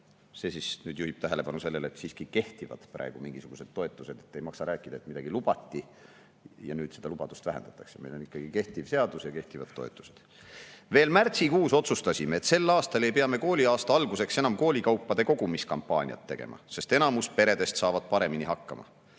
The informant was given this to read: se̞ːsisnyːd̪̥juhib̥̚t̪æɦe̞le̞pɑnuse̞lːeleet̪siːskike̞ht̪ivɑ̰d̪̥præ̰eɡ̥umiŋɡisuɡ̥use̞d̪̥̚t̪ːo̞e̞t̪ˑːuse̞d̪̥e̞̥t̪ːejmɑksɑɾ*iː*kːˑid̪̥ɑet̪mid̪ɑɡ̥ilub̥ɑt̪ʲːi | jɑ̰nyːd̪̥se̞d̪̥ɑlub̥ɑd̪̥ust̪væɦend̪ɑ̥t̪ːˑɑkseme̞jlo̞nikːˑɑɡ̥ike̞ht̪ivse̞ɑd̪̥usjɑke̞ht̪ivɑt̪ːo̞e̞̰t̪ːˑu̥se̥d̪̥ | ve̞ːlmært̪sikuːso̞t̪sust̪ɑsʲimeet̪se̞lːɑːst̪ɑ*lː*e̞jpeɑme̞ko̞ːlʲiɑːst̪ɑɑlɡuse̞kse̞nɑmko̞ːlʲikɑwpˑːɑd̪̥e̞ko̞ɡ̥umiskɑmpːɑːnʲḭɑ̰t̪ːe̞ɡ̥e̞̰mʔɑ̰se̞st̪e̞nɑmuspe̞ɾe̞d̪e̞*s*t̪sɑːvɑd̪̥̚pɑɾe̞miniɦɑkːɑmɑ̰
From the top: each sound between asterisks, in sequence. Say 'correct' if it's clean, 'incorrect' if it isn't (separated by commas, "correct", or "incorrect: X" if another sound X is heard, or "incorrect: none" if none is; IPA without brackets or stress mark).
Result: incorrect: æː, incorrect: l, correct